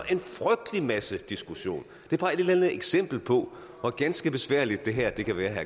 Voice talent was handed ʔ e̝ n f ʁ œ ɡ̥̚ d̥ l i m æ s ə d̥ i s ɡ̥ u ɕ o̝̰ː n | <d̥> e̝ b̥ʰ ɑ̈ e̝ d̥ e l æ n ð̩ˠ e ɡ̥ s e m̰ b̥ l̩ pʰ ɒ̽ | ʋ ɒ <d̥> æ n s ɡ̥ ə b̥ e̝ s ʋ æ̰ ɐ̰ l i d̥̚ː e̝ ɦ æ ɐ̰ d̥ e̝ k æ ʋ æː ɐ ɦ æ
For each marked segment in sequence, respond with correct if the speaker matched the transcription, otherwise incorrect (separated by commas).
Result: correct, incorrect